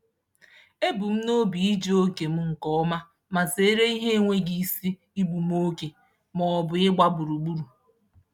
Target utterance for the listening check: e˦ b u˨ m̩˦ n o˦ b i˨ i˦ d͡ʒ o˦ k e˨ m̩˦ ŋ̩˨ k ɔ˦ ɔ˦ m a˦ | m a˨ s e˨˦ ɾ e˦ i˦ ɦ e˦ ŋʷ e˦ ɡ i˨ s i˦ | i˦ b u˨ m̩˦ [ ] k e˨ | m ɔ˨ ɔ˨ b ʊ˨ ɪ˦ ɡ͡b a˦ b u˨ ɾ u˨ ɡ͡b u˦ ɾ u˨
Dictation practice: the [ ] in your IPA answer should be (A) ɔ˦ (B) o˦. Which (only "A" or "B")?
B